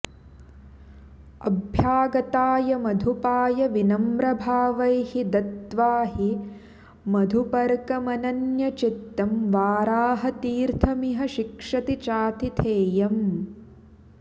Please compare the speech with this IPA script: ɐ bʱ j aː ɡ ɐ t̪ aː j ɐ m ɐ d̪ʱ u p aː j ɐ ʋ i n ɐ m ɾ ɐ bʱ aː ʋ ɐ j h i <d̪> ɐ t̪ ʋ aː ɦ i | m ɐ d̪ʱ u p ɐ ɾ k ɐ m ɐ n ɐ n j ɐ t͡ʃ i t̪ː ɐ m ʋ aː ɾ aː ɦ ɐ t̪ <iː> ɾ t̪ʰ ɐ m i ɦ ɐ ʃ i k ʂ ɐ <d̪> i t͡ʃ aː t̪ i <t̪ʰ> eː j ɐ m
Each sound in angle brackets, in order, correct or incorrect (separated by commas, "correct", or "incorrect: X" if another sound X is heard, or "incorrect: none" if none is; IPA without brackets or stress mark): correct, correct, incorrect: t̪, correct